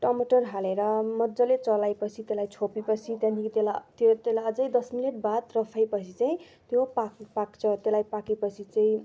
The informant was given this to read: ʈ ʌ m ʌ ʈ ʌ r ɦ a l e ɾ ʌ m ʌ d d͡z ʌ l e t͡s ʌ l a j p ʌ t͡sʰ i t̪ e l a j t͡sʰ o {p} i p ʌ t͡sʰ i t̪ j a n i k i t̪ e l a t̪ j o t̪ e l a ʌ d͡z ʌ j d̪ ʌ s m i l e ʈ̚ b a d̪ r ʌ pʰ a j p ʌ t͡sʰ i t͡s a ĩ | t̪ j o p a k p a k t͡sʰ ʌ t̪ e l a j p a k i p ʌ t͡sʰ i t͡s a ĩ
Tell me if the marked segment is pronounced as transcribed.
yes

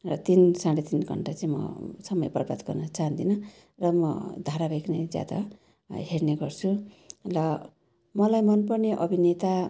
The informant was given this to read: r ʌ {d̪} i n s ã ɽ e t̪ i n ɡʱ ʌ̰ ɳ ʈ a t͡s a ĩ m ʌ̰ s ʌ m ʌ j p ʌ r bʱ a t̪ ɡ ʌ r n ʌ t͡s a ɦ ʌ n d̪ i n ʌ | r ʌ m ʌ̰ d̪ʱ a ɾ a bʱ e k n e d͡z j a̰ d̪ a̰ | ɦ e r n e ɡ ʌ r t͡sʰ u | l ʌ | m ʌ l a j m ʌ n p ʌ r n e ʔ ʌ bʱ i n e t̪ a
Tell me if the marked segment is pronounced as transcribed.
no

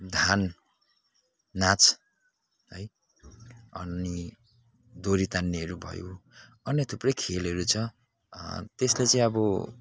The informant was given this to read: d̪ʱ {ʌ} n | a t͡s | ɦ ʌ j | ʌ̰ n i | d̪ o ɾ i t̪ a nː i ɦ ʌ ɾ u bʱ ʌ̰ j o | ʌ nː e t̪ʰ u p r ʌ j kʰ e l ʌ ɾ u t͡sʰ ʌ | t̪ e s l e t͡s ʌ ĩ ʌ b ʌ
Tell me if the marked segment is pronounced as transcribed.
no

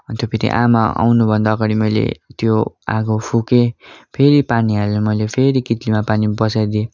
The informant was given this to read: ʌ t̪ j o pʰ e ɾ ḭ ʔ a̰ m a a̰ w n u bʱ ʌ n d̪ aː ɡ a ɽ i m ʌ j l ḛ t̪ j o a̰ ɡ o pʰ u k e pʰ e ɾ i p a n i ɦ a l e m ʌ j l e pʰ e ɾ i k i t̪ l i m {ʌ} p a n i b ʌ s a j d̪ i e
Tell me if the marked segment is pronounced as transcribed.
no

